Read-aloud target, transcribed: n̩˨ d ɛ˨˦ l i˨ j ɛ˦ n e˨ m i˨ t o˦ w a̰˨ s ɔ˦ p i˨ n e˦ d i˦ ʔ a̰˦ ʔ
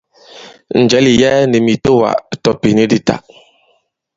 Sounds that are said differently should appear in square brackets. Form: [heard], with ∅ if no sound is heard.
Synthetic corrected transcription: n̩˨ [d͡ʒ] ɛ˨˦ l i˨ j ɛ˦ n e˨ m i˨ t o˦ w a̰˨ [t] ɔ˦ p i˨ n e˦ d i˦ [t] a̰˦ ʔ